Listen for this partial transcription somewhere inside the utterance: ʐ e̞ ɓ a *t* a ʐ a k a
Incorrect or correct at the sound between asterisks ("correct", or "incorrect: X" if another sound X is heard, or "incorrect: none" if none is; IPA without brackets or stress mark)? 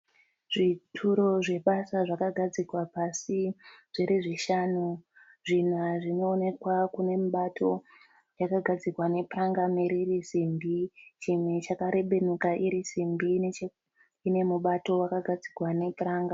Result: incorrect: s